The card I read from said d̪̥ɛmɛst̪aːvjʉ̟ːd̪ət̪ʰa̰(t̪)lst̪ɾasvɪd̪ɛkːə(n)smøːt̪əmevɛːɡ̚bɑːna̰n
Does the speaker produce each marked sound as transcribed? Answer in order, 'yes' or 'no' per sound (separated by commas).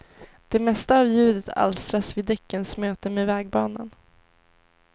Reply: no, yes